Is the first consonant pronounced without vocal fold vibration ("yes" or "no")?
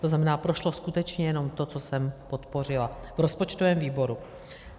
yes